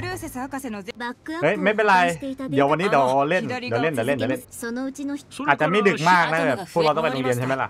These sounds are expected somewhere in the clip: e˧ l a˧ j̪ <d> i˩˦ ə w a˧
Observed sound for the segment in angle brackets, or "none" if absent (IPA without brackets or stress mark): d